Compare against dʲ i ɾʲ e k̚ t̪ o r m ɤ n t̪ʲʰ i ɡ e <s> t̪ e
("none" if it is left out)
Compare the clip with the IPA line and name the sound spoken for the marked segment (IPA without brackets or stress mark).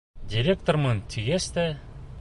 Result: s